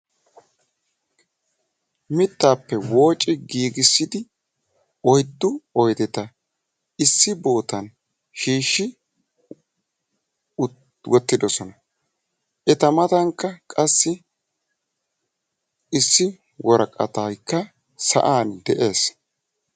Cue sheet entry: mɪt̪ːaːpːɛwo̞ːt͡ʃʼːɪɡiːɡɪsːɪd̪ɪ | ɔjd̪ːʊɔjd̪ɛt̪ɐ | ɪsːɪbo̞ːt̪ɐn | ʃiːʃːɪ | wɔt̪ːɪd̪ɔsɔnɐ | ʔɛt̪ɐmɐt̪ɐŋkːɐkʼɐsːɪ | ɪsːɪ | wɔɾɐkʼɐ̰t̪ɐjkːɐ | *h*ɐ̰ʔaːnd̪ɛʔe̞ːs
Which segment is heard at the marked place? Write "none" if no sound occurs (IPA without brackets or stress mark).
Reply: s